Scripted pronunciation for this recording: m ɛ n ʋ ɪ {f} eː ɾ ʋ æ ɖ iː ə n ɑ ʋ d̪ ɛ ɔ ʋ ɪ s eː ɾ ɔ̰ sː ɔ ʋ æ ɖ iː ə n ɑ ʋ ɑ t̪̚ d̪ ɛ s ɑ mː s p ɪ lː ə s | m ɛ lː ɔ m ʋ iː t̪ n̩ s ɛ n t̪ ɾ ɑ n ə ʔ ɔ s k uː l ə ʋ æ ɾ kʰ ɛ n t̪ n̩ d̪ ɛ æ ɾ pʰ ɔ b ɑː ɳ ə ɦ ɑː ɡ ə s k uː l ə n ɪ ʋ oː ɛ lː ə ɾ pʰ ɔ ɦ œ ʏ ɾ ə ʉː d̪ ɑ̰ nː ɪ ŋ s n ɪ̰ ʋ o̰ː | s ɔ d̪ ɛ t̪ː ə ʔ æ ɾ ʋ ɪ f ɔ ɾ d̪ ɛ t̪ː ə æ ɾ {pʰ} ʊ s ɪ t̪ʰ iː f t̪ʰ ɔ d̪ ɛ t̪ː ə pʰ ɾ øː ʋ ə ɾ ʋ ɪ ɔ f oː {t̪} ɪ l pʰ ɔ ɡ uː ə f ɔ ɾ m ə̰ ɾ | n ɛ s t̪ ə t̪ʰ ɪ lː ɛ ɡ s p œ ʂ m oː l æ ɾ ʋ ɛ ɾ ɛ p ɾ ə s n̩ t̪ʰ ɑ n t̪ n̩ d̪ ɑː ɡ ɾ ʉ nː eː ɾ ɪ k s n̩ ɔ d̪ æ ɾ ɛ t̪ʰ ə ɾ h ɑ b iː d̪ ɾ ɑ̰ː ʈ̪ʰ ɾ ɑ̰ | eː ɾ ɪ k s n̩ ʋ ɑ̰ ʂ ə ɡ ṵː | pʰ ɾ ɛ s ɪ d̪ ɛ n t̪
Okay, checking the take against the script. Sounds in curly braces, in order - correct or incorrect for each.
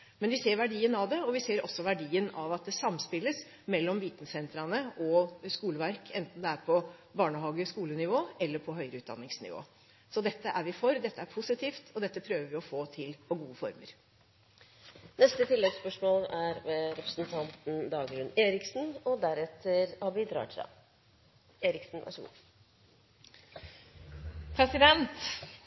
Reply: incorrect, correct, incorrect

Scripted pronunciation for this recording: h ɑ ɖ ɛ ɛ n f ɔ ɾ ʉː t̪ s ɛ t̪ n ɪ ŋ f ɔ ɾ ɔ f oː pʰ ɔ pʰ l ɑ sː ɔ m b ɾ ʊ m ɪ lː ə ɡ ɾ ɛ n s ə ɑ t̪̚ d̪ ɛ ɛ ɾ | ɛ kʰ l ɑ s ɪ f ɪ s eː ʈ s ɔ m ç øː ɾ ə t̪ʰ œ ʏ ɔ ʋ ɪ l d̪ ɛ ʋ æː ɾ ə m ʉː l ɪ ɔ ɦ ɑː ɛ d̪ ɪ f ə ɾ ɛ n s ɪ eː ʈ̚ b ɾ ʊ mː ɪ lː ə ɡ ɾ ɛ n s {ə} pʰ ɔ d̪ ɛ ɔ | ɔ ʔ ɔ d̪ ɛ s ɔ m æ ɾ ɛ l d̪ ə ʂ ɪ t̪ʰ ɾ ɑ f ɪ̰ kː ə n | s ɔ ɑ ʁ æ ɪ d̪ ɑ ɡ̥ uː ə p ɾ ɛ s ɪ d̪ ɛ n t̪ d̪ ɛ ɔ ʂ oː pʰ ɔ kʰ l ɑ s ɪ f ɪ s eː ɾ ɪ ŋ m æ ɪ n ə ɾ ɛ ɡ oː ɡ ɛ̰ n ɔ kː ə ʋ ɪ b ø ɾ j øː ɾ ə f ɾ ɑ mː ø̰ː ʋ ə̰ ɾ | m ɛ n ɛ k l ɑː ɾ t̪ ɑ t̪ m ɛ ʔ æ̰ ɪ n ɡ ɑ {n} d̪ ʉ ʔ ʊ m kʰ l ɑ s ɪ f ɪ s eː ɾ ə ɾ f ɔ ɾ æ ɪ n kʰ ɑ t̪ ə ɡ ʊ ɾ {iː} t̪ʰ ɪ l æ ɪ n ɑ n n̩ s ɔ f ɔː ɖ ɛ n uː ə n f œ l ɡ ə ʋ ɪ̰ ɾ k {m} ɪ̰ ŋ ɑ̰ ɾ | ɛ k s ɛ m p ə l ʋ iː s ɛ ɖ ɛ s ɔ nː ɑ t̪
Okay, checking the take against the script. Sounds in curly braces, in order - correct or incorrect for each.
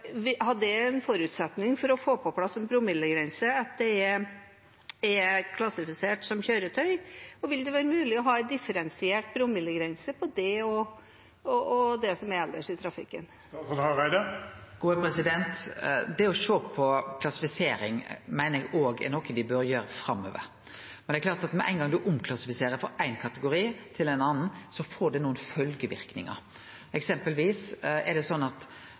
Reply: correct, incorrect, correct, incorrect

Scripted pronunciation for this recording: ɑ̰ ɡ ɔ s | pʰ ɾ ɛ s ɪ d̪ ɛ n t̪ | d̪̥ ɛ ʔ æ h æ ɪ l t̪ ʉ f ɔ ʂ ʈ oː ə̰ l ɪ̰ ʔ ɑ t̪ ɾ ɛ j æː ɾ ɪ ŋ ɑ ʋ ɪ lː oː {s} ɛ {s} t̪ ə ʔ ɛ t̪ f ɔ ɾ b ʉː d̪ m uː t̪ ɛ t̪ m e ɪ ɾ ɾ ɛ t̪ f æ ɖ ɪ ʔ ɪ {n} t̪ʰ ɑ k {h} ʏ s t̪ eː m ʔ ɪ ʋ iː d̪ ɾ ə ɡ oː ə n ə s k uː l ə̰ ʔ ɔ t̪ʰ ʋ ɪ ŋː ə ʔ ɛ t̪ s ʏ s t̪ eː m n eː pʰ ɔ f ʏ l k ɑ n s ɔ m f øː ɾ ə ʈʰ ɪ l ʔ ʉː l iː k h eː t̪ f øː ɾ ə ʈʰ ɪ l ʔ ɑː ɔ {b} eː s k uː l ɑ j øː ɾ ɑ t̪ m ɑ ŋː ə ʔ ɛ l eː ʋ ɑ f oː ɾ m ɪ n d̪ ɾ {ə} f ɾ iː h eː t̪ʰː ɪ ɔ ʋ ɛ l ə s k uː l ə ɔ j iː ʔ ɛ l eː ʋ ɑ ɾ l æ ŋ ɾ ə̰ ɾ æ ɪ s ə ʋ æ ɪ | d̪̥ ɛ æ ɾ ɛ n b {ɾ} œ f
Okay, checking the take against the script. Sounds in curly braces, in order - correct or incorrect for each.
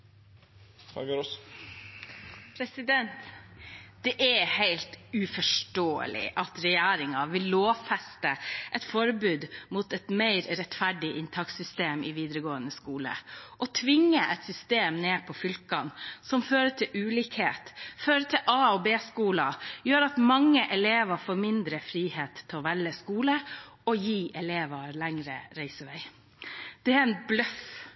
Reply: incorrect, correct, correct, incorrect, correct, correct, incorrect

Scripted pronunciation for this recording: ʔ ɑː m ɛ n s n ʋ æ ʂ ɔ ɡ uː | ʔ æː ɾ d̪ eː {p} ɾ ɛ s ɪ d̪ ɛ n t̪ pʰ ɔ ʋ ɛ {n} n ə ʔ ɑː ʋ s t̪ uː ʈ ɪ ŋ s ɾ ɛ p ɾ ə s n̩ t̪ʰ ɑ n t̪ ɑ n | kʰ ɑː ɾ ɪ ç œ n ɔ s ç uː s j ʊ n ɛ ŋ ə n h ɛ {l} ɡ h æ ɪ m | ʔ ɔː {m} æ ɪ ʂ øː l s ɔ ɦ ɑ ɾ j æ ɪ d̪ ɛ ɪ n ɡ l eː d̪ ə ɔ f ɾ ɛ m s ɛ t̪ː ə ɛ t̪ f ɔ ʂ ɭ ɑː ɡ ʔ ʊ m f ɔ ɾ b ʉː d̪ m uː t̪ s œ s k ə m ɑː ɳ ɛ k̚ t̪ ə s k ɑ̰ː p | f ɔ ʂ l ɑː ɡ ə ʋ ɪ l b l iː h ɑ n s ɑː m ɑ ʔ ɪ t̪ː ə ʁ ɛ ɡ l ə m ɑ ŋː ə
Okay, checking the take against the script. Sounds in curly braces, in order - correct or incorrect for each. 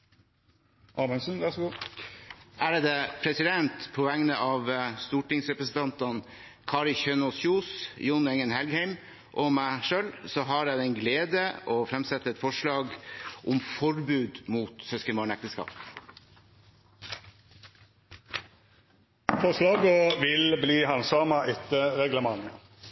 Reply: incorrect, incorrect, correct, correct

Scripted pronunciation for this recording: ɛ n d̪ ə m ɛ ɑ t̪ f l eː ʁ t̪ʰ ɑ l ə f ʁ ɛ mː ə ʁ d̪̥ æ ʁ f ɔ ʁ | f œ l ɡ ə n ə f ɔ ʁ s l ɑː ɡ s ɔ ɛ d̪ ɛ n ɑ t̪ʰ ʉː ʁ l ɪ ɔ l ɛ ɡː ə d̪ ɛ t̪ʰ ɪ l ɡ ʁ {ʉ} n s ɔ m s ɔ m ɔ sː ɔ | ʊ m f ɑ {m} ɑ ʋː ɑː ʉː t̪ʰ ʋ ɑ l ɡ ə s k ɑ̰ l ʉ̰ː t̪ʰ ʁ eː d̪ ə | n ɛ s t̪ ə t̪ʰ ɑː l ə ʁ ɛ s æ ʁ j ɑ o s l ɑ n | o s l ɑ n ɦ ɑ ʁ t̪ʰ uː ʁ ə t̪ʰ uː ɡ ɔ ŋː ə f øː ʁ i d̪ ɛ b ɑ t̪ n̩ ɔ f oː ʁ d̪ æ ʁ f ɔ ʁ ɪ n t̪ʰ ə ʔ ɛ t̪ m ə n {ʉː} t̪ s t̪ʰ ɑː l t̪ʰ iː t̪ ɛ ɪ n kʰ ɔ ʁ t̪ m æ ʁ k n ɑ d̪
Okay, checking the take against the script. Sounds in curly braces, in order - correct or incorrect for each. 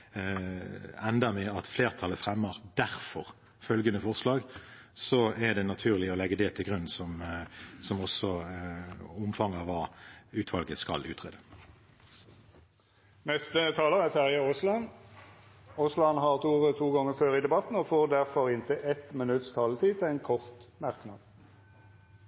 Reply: correct, incorrect, incorrect

